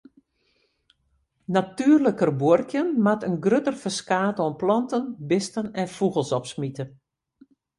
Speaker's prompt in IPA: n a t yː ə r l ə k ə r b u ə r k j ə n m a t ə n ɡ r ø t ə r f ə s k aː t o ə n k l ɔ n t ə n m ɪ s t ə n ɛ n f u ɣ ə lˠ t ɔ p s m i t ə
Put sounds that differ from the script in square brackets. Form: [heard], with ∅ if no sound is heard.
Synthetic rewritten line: n a t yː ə r l ə k ə r b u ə r k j ə n m a t ə n ɡ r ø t ə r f ə s k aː t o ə n [p] l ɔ n t ə n [b] ɪ s t ə n ɛ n f u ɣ ə lˠ [s] ɔ p s m i t ə